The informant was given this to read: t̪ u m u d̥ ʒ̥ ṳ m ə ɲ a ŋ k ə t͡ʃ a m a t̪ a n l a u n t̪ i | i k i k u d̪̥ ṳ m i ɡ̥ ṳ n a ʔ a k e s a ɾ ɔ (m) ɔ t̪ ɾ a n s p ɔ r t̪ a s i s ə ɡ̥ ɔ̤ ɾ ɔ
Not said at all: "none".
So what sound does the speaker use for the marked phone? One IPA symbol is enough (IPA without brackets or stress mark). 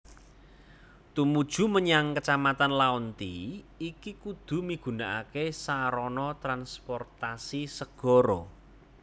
n